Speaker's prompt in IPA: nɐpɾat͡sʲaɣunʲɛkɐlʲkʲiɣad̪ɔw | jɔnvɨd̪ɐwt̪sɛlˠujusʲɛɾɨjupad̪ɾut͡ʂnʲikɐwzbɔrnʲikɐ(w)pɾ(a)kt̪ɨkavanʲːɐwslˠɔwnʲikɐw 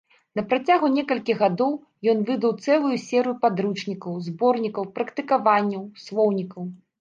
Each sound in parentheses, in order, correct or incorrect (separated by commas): correct, incorrect